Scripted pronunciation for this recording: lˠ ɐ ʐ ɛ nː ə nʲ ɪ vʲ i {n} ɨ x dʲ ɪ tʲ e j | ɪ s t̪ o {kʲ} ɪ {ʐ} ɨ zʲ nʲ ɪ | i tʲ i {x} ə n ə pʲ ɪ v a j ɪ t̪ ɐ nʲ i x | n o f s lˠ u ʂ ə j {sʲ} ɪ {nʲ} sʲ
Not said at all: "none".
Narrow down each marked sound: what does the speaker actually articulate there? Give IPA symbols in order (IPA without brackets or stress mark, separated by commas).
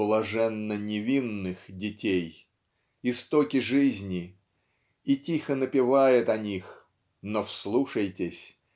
nː, kʲ, ʐ, x, tʲ, none